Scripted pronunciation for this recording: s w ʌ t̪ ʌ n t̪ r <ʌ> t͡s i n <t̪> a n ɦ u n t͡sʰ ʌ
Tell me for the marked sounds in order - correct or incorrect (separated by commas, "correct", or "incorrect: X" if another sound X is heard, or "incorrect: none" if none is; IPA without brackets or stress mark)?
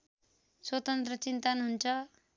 correct, correct